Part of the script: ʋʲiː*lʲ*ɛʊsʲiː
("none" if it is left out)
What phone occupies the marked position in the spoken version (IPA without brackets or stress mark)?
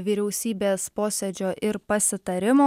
ɾʲ